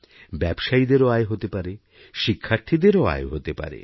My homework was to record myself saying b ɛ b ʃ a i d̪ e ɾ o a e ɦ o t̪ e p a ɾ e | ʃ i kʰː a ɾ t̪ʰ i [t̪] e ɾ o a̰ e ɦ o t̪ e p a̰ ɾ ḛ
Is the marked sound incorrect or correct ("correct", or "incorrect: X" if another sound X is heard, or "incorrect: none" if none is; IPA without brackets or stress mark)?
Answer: incorrect: d̪